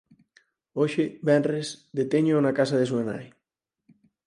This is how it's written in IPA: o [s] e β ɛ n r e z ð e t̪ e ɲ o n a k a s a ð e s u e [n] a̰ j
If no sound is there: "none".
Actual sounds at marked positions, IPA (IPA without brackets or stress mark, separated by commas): ʃ, n